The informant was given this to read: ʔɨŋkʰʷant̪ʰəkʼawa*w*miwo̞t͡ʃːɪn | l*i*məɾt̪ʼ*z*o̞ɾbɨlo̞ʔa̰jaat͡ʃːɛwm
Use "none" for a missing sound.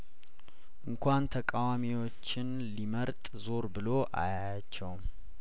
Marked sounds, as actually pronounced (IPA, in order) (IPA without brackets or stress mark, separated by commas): none, i, z